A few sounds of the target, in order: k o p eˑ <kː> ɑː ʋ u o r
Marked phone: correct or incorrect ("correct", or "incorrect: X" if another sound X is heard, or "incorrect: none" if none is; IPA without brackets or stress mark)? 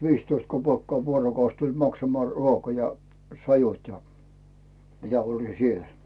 correct